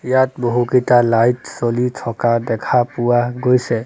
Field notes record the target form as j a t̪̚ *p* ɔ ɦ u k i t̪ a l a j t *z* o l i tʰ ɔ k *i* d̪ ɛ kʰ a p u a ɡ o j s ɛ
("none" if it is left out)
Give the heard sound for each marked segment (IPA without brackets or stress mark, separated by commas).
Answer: b, s, a